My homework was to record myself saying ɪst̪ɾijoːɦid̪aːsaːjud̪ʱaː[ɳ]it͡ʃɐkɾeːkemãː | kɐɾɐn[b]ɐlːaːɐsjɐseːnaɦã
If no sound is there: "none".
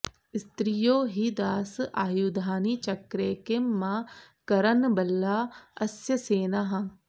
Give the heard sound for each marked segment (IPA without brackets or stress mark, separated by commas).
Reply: n, b